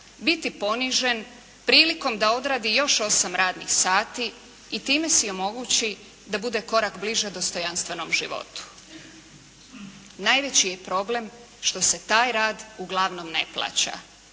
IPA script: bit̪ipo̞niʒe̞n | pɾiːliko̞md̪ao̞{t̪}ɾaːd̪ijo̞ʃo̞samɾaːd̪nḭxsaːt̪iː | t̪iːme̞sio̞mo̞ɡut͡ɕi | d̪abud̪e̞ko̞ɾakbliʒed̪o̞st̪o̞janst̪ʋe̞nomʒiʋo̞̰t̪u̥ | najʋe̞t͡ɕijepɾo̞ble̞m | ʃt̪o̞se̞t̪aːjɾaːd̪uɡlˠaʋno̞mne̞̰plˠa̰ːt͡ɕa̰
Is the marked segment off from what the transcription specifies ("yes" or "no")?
yes